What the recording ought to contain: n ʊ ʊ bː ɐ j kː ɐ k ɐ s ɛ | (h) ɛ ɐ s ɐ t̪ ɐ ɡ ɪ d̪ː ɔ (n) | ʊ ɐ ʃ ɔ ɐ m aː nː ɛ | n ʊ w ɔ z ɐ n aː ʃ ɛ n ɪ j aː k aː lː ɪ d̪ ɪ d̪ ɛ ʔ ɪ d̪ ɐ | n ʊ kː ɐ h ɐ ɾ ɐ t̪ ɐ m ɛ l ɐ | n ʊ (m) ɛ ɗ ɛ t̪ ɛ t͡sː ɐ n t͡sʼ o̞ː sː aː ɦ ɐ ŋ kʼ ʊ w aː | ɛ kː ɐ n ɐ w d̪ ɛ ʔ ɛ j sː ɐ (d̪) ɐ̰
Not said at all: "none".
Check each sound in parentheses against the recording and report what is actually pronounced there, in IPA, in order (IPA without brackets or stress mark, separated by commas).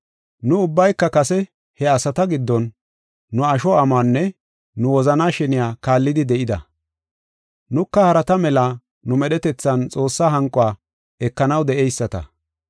h, nː, m, t̪